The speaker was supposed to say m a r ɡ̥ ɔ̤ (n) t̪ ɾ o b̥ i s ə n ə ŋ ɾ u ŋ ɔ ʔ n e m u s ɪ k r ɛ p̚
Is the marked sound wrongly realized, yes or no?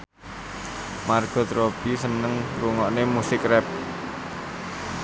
yes